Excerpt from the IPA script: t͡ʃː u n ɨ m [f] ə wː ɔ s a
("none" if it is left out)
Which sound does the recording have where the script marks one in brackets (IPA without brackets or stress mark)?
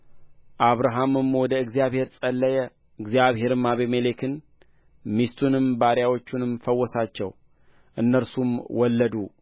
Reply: f